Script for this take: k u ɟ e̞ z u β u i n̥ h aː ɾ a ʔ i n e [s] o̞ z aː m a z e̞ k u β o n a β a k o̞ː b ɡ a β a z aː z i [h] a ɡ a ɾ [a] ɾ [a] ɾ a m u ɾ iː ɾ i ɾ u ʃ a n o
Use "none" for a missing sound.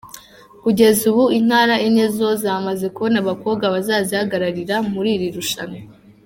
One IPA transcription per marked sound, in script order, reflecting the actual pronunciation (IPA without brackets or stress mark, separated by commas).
z, h, a, i